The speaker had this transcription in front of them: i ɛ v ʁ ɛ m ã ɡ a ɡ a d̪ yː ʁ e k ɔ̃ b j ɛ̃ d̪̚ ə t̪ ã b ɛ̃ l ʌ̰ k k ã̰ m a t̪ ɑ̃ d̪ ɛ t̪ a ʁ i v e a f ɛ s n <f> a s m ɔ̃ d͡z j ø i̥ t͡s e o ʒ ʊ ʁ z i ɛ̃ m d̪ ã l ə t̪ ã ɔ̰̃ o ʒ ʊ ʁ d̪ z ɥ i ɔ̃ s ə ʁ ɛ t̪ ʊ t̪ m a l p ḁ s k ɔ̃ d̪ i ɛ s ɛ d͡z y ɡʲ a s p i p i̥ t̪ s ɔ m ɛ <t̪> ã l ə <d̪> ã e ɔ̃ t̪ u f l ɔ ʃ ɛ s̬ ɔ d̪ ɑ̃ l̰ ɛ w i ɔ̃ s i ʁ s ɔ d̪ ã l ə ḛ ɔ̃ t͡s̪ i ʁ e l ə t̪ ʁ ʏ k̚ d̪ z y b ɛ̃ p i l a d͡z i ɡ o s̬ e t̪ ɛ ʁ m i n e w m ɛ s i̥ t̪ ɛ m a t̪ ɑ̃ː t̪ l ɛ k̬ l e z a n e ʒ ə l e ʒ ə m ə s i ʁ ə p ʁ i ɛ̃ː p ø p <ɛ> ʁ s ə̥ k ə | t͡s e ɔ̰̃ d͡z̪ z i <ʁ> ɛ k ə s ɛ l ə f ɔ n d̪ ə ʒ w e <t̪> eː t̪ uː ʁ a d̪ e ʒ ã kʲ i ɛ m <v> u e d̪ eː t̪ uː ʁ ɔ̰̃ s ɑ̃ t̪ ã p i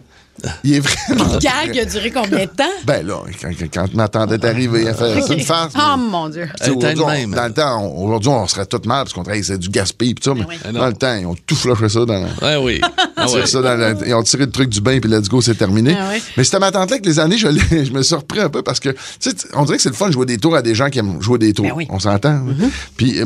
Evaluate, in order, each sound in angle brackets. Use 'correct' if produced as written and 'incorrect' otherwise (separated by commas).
correct, incorrect, incorrect, incorrect, correct, incorrect, incorrect